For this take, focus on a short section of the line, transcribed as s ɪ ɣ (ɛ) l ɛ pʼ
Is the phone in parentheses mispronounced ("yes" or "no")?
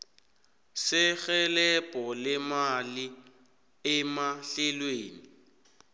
no